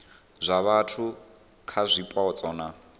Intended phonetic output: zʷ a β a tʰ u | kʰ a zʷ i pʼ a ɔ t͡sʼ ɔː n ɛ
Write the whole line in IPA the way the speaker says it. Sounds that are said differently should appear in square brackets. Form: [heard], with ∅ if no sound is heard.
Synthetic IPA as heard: zʷ a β a tʰ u | kʰ a zʷ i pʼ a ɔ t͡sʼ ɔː n [a]

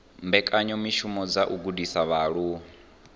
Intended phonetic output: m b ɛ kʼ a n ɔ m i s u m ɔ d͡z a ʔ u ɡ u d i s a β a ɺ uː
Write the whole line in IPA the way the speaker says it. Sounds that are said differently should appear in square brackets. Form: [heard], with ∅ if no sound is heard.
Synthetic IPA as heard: m b ɛ kʼ a [ɲ] ɔ m i [ʃ] u m ɔ d͡z a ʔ u ɡ u d i s a β a ɺ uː

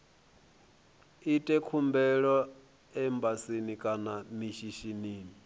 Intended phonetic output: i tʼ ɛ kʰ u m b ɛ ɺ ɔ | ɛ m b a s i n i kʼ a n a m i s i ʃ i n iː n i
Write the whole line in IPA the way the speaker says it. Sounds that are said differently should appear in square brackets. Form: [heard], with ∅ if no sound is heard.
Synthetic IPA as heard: i tʼ ɛ kʰ u m b ɛ ɺ ɔ | ɛ m b a s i n i kʼ a n a m i [ʃ] i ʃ i n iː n i

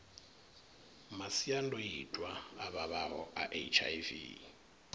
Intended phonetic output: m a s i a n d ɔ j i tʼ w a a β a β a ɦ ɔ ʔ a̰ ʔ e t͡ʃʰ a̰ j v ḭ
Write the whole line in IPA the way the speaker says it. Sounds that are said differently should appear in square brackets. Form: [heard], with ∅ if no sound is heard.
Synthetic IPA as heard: m a s i a n d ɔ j i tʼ w a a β a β a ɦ ɔ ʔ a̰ ʔ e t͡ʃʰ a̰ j v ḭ

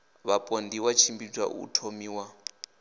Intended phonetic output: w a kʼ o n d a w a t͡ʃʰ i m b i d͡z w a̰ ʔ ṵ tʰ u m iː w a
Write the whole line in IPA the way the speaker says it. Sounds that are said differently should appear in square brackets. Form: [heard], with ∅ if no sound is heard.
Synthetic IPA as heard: [β] a [pʼ] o n d [i] w a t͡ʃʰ i m b i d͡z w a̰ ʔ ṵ tʰ [o] m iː w a

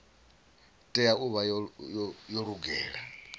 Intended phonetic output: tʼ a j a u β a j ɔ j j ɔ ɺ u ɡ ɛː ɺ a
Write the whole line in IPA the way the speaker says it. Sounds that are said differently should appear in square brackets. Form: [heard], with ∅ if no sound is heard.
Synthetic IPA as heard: tʼ [ɛ] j a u β a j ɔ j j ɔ ɺ u ɡ ɛː ɺ a

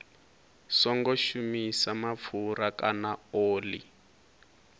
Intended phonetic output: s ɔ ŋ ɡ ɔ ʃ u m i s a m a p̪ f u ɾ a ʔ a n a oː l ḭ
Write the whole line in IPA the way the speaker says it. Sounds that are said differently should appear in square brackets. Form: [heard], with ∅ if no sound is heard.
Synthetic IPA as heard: s ɔ ŋ ɡ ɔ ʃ u m i s a m a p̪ f u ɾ a [k] a n a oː l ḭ

